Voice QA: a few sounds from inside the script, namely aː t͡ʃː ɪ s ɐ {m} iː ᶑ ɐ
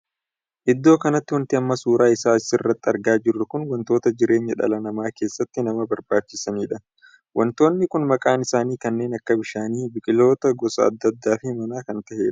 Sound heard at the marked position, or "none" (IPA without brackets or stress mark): n